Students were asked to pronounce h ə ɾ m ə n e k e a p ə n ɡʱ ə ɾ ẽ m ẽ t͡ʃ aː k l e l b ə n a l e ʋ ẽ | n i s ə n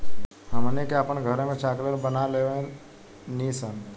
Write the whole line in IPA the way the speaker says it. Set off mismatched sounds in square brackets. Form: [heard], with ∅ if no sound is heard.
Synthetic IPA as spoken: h ə [∅] m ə n e k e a p ə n ɡʱ ə ɾ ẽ m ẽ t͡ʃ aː k l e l b ə n a l e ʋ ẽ | n i s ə n

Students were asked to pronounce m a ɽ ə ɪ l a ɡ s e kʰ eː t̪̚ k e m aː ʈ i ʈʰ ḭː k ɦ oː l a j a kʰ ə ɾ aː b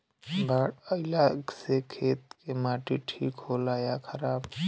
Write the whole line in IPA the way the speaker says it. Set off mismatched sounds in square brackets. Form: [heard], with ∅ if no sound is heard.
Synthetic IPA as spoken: [b] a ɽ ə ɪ l a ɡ s e kʰ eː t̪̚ k e m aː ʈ i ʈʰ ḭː k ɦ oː l a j a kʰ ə ɾ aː b

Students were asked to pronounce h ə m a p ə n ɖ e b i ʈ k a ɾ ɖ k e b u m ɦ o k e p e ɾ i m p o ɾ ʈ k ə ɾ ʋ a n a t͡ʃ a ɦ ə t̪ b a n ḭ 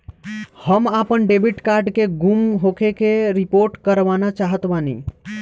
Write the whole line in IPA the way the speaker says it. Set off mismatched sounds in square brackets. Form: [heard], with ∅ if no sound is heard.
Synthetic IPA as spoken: h ə m a p ə n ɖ e b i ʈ k a ɾ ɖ k e [ɡ] u m ɦ o k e [k] e ɾ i [∅] p o ɾ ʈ k ə ɾ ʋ a n a t͡ʃ a ɦ ə t̪ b a n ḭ

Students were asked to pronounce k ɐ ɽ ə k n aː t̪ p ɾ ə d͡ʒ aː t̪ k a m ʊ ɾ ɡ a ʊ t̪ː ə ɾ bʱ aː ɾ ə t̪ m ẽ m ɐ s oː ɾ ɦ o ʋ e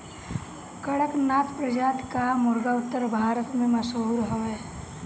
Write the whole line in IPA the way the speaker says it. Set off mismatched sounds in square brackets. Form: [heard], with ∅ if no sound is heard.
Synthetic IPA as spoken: k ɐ ɽ ə k n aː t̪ p ɾ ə d͡ʒ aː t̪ k a m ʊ ɾ ɡ a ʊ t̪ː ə ɾ bʱ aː ɾ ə t̪ m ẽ m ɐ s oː ɾ ɦ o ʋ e

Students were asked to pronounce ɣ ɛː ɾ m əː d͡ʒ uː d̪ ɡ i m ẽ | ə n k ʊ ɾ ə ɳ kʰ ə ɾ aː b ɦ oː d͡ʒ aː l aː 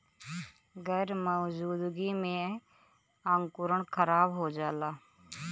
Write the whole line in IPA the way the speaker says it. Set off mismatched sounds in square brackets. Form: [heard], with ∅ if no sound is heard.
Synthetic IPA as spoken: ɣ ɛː ɾ m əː d͡ʒ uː d̪ ɡ i m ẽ | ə [ŋ] k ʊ ɾ ə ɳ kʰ ə ɾ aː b ɦ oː d͡ʒ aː l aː

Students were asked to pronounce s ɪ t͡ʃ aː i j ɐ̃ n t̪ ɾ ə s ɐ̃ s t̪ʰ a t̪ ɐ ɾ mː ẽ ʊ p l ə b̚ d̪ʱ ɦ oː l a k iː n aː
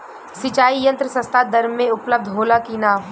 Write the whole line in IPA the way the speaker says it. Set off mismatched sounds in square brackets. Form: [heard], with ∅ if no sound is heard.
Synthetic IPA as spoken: s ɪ t͡ʃ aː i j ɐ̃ n t̪ ɾ ə s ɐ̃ s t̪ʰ a [d̪] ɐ ɾ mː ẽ ʊ p l ə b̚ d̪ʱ ɦ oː l a k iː n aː

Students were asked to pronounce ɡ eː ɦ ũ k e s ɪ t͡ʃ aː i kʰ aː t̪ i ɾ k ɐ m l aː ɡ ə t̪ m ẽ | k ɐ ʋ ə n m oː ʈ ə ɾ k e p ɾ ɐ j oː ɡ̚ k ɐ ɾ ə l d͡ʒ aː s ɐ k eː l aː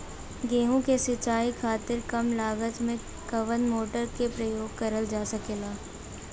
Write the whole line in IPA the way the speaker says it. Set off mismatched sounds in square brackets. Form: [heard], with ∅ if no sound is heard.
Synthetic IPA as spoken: ɡ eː ɦ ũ k e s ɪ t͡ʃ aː i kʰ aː t̪ [ɪ] ɾ k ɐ m l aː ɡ ə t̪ m ẽ | k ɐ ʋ ə n m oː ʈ ə ɾ k e p ɾ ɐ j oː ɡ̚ k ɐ ɾ ə l d͡ʒ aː s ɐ k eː l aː

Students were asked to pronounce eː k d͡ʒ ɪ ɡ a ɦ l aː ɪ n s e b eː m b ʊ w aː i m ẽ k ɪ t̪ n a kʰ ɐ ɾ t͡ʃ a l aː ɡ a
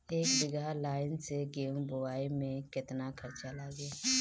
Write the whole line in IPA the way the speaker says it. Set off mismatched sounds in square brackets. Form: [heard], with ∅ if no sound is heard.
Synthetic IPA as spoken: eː k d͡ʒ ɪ ɡ a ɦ l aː ɪ n s e [ɡ] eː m b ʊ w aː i m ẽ k ɪ t̪ n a kʰ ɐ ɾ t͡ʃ a l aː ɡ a

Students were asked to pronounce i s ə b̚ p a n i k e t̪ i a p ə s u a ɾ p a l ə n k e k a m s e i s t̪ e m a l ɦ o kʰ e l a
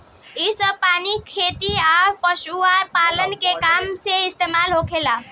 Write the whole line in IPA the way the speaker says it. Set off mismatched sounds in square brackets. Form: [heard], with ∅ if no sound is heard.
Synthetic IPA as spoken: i s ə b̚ p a n i [kʰ] e t̪ i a p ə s u a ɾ p a l ə n k e k a m s e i s t̪ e m a l ɦ o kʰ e l a

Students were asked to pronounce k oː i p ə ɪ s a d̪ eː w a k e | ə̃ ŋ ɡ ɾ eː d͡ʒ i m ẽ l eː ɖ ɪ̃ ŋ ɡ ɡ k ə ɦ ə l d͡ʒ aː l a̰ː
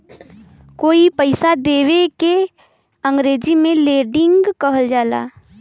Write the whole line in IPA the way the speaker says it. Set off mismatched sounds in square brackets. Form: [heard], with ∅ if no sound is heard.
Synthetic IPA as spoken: k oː i p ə ɪ s a d̪ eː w [e] k e | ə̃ ŋ ɡ ɾ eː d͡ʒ i m ẽ l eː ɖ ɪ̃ ŋ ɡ ɡ k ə ɦ ə l d͡ʒ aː l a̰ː

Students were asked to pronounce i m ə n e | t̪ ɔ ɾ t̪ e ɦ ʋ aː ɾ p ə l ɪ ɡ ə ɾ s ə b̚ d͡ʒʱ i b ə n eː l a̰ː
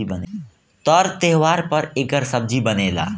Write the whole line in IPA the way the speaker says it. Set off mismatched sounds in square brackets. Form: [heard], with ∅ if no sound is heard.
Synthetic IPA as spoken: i [b] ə n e | t̪ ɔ ɾ t̪ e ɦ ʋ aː ɾ p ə [ɾ] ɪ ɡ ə ɾ s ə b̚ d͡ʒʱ i b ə n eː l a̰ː

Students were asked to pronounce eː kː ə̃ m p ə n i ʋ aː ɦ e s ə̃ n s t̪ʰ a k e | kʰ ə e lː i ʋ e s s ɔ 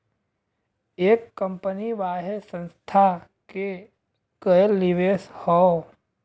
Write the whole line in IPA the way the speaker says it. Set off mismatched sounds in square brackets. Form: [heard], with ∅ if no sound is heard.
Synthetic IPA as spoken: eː kː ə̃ m p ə n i ʋ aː ɦ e s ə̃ n s t̪ʰ a k e | [k] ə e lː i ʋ e s [h] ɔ

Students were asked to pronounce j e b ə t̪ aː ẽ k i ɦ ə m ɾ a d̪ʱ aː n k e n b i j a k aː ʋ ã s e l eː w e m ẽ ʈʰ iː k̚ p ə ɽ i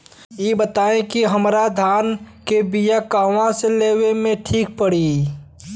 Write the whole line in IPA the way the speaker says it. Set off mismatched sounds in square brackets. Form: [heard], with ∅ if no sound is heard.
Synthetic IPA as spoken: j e b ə t̪ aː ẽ k i ɦ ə m ɾ a d̪ʱ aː n k e [∅] b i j a k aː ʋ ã s e l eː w e m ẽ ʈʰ iː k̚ p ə ɽ i

